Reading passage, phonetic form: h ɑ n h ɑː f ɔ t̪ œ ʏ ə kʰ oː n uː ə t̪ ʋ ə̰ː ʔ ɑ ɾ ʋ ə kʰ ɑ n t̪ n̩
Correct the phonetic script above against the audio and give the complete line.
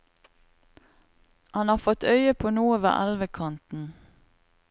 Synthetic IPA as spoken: h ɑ n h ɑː f ɔ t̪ œ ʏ ə pʰ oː n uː ə ʋ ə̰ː ʔ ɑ l ʋ ə kʰ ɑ n t̪ n̩